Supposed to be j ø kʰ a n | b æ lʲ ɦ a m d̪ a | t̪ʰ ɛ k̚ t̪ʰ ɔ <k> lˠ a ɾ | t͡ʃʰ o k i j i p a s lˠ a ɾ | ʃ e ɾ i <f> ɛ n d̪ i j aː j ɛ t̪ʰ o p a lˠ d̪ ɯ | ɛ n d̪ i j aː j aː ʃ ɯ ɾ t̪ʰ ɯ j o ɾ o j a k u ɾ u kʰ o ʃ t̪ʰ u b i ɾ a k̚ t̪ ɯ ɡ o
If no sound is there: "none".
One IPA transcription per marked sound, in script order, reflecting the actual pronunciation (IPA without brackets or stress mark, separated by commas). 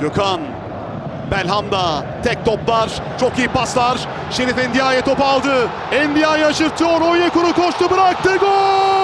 p, f